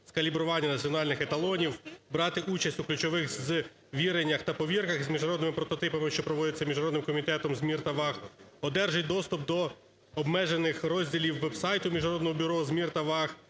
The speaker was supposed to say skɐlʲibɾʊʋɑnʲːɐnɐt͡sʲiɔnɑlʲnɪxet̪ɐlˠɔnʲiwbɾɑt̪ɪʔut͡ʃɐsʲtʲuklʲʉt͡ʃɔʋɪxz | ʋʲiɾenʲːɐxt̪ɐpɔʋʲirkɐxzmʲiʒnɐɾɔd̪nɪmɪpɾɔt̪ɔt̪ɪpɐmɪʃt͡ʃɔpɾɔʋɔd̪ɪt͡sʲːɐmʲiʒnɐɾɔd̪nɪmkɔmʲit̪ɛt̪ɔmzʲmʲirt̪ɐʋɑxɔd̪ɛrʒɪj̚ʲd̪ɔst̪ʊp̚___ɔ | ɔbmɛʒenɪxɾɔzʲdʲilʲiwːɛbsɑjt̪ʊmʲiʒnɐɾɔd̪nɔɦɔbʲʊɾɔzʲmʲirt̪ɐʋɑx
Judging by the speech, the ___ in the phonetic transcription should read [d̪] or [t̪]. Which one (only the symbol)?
d̪